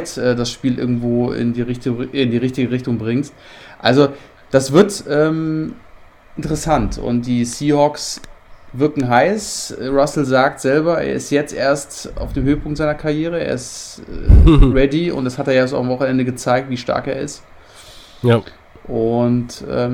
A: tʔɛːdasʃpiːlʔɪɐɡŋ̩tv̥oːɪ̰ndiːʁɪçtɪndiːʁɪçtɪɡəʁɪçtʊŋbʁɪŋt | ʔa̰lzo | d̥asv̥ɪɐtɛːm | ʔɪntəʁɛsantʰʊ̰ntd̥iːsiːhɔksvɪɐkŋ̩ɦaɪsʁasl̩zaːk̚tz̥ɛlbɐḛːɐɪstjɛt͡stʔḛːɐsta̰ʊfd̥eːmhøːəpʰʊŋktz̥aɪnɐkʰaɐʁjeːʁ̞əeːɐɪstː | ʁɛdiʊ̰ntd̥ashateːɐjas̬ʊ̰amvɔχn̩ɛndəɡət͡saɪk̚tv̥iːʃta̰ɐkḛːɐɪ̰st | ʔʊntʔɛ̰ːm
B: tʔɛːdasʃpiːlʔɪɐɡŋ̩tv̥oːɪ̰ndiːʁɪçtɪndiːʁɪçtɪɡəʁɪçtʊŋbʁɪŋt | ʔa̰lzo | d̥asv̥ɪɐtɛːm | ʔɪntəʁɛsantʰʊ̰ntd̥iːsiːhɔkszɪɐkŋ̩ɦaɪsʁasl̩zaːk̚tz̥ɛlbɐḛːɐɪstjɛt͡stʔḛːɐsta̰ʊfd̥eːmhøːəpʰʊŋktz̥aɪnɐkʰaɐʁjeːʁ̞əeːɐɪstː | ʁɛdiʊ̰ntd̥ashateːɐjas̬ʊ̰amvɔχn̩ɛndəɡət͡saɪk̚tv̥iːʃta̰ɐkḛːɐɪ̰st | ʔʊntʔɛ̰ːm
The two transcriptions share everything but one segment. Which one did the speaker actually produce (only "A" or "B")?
A